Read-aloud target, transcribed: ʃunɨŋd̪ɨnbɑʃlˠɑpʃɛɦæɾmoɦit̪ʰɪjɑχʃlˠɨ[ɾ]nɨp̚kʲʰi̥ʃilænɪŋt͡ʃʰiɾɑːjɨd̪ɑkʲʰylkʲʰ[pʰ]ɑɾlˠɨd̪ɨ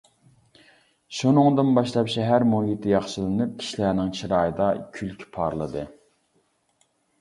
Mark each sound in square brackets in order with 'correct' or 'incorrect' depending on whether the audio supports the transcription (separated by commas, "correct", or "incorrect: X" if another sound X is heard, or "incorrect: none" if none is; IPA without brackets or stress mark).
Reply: incorrect: none, correct